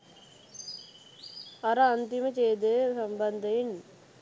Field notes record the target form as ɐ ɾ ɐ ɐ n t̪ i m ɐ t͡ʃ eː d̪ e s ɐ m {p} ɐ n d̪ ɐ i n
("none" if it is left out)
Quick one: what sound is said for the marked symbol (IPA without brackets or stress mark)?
b